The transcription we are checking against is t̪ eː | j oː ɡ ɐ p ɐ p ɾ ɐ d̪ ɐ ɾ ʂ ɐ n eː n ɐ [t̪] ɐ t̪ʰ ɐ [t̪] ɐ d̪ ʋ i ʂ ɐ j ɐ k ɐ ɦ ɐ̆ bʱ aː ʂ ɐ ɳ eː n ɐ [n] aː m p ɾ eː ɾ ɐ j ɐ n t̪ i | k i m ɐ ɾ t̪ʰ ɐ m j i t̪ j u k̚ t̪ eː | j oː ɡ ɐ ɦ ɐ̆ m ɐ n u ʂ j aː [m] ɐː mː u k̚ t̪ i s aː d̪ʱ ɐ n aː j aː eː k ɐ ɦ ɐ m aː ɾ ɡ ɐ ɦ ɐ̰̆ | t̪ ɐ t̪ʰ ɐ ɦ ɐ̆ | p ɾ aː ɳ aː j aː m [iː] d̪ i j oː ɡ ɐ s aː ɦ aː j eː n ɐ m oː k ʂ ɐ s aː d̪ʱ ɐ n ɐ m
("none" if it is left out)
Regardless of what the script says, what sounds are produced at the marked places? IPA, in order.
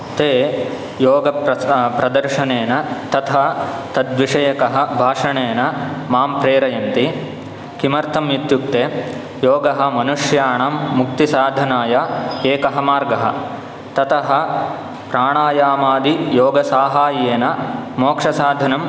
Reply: t̪, t̪, m, ɳ, aː

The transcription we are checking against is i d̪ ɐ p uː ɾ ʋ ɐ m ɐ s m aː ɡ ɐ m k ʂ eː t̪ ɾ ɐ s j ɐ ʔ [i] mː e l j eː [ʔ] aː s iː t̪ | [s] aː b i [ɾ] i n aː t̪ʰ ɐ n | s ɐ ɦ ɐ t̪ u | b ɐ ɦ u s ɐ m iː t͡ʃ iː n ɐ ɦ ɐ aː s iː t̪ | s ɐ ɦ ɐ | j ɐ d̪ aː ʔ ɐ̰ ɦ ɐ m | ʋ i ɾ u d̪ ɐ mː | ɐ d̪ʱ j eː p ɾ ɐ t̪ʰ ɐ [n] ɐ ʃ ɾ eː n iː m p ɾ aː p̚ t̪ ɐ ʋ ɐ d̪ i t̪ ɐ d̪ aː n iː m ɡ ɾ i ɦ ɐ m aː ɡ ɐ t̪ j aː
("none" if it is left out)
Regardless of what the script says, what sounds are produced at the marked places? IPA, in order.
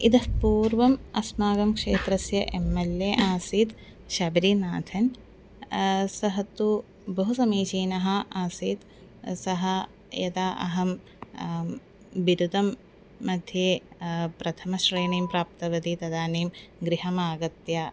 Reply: e, ʔ, ʃ, ɾ, m

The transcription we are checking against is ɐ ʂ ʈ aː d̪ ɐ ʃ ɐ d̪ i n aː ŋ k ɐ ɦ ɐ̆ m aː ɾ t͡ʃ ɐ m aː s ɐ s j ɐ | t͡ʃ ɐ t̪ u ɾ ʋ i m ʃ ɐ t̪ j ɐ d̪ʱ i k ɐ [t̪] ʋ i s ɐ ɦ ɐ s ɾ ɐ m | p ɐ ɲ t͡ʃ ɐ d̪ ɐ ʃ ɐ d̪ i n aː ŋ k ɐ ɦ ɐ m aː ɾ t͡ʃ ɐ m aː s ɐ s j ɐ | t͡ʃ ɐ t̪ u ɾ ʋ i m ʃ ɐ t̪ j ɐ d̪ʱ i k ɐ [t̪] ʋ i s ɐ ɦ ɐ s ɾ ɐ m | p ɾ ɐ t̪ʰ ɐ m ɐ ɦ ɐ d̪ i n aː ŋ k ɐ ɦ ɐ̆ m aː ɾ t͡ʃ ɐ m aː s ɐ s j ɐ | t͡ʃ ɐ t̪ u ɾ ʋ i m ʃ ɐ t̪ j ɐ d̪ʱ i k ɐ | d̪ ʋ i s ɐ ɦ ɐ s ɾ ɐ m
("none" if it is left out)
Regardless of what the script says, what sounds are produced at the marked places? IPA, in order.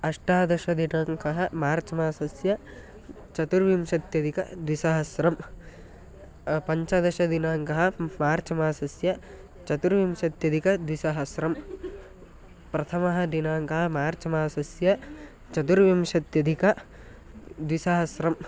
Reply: d̪, d̪

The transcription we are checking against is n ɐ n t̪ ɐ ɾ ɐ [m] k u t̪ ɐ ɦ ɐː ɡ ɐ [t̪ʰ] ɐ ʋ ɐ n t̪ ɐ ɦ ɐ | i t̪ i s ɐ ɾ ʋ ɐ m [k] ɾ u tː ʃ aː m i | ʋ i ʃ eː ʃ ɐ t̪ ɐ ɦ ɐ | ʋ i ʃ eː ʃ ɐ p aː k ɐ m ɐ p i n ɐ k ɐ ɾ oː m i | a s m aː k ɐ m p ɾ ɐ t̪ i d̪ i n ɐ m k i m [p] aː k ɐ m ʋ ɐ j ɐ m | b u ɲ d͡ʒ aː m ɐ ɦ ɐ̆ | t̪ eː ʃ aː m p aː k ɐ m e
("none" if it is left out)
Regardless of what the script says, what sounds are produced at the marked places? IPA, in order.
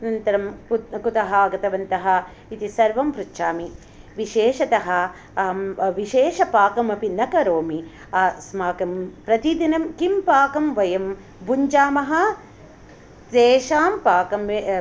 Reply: m, t̪, p, p

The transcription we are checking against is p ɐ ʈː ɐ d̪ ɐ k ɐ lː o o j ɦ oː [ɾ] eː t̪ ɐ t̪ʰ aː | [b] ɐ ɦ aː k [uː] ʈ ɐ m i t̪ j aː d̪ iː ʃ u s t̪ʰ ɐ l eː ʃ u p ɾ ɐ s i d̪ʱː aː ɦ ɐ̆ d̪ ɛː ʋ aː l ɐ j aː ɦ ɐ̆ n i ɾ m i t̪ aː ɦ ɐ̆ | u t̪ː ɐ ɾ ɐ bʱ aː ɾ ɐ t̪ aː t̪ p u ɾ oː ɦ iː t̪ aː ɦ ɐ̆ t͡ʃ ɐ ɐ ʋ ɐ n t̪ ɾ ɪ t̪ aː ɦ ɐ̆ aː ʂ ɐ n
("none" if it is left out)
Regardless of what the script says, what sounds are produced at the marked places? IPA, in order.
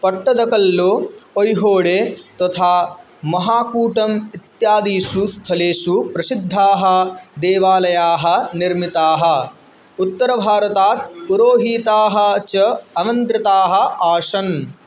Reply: ɽ, m, uː

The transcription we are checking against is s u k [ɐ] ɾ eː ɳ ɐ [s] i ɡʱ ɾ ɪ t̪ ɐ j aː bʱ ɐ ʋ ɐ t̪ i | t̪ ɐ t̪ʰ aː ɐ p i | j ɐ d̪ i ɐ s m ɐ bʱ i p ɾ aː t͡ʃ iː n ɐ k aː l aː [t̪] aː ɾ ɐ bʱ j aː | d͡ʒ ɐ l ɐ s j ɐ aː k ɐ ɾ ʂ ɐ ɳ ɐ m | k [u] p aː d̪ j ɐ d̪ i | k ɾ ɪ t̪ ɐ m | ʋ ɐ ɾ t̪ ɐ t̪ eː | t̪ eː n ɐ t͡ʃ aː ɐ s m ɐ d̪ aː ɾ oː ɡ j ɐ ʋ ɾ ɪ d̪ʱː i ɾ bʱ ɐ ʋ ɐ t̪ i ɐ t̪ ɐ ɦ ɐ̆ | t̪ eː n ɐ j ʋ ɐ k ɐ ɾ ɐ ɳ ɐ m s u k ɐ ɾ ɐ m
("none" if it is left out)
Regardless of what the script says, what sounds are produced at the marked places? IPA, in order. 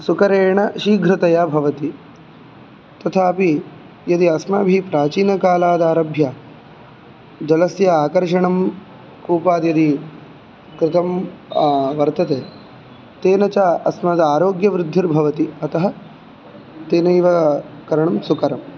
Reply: ɐ, ʃ, d̪, uː

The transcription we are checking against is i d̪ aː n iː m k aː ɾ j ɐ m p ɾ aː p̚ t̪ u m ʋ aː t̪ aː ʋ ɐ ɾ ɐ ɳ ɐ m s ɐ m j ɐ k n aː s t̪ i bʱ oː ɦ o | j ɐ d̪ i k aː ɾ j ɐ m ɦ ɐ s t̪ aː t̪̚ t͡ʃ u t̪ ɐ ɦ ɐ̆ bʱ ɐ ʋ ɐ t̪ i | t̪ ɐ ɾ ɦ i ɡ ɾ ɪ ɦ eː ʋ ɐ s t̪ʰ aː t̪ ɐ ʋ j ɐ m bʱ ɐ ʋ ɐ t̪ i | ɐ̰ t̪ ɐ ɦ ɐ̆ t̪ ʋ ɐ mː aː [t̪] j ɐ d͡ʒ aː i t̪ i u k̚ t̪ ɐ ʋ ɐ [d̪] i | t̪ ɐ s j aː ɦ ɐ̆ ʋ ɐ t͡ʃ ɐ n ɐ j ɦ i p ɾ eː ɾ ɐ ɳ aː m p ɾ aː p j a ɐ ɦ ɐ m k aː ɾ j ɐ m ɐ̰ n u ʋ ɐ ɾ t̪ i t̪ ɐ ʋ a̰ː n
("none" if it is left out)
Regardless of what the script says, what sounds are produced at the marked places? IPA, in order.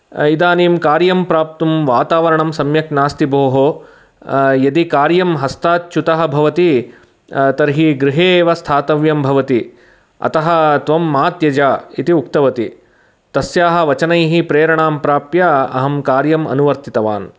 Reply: t̪, t̪

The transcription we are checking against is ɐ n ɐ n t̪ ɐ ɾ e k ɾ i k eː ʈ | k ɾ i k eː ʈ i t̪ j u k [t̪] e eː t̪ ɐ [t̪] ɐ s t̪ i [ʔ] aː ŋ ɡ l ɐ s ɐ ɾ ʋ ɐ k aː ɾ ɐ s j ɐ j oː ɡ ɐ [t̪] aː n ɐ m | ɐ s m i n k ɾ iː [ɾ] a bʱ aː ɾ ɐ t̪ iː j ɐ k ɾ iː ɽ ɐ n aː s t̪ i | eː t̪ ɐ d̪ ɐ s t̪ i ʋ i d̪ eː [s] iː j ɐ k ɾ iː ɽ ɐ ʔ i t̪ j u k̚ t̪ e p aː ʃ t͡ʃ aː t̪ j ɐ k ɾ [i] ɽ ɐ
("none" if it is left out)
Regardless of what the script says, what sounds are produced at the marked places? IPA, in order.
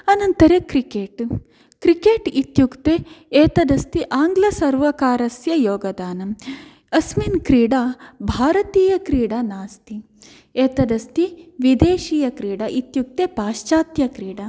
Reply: t̪, d̪, ʔ, d̪, ɽ, ʃ, iː

